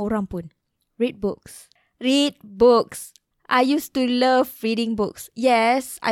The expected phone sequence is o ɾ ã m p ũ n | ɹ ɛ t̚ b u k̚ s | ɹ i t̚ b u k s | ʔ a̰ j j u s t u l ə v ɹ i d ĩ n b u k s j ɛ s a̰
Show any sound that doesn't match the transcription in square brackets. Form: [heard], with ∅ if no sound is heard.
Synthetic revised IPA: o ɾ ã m p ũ n | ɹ [i] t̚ b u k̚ s | ɹ i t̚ b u k s | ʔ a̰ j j u s t u l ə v ɹ i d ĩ [ŋ] b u k s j ɛ s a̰